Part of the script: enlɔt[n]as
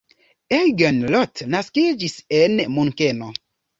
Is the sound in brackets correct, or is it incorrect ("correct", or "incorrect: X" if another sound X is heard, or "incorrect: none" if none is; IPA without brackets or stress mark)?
correct